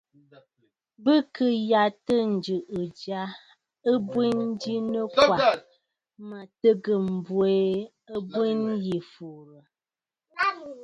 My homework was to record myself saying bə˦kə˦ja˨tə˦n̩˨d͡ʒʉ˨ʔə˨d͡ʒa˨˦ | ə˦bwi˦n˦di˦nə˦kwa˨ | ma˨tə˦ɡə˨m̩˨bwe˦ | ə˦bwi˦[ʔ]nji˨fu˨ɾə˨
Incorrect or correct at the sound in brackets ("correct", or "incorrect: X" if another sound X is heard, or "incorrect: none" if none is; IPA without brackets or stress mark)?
incorrect: none